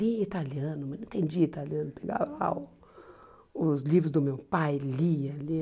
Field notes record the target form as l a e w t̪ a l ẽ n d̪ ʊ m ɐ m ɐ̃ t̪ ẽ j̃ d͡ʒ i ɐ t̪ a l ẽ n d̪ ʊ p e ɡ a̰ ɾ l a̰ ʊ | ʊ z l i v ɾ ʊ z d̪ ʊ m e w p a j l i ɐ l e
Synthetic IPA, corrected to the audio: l i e t̪ a l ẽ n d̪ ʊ m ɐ n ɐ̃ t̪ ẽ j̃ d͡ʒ i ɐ t̪ a l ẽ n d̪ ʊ p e ɡ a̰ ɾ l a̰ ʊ | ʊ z l i v ɾ ʊ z d̪ ʊ m e w p a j l i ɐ l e